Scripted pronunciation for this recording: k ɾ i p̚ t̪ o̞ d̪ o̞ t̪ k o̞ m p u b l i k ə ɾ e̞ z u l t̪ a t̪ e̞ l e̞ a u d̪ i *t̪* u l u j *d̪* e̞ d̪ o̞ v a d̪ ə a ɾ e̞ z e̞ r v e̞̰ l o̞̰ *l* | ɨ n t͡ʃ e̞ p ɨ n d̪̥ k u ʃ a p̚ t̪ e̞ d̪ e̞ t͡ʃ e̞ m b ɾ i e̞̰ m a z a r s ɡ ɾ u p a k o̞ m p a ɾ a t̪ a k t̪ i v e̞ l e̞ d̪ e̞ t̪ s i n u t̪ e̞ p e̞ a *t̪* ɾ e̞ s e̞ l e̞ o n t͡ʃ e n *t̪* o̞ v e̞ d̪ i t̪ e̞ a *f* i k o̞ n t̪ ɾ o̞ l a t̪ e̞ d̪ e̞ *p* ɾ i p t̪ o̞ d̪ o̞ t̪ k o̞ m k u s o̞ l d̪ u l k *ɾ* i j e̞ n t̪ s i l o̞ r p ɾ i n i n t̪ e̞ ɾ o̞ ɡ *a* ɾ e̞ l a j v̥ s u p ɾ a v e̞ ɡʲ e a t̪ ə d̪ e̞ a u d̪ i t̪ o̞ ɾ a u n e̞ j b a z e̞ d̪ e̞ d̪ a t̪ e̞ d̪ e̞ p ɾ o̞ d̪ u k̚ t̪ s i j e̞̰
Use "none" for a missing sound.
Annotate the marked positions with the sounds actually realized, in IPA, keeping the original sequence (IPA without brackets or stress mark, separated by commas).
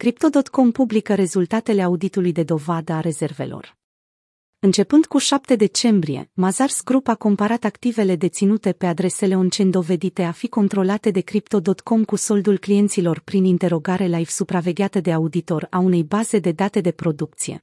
t̪, d̪, r, d̪, d̪, f, k, l, a